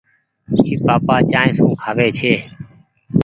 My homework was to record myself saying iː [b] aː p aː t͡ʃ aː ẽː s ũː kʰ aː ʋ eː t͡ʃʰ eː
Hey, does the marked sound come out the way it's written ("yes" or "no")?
no